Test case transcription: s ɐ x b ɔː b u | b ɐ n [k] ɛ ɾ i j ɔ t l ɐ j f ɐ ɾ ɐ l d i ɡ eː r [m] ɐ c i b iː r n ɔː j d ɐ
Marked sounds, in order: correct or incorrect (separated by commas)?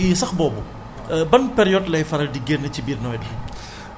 incorrect, incorrect